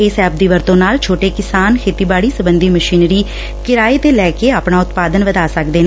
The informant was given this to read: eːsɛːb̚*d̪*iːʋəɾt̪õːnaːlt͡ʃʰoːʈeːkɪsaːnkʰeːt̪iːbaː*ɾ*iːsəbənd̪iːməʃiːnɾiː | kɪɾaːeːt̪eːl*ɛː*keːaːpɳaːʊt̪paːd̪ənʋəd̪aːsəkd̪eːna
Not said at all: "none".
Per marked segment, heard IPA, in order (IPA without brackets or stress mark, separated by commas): d̪, ɽ, ɛː